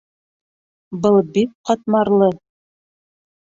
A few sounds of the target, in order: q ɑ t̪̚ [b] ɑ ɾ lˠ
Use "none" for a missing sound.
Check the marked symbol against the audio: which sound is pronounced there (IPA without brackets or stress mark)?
m